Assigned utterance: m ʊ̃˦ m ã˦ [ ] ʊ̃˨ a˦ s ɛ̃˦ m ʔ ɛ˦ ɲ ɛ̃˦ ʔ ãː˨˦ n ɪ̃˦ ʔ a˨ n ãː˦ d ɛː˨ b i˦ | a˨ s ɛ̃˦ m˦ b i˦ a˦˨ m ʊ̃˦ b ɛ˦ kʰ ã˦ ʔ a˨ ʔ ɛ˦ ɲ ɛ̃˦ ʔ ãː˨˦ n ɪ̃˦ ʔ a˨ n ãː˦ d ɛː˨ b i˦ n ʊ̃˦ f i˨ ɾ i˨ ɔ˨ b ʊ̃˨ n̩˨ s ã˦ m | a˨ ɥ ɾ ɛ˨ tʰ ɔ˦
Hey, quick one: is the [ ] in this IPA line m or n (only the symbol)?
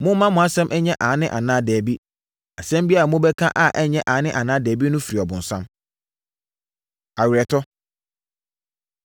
m